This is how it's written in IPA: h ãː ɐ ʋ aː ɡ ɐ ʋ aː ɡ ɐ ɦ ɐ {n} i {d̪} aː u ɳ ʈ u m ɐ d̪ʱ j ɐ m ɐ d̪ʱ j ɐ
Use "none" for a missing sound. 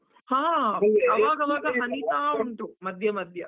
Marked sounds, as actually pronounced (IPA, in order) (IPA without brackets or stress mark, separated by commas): n, t̪